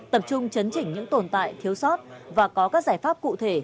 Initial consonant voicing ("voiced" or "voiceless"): voiceless